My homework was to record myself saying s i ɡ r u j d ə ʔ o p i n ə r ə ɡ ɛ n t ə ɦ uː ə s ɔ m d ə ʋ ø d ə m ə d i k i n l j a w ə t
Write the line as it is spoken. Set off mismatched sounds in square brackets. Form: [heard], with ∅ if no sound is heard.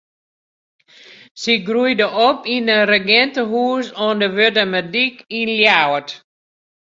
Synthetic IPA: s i ɡ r u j d ə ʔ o p i n ə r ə ɡ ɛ n t ə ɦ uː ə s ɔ [n] d ə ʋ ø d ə m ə d i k i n l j a w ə t